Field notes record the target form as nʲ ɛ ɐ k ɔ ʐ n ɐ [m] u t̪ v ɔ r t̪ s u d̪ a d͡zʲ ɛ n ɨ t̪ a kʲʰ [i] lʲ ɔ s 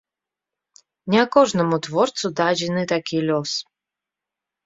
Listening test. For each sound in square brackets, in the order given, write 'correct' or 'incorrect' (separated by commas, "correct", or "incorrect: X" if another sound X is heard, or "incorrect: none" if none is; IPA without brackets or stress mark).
correct, correct